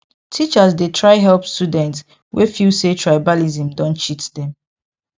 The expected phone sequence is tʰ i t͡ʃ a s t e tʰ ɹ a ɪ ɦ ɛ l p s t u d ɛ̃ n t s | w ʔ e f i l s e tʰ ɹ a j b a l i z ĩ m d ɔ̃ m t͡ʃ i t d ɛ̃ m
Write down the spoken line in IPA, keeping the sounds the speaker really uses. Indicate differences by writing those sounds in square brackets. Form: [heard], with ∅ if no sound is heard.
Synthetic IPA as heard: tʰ i t͡ʃ a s [d] e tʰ ɹ a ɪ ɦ ɛ l p s t u d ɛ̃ n t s | w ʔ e f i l s e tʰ ɹ a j b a l i z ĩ m d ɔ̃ [n] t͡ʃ i t d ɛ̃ m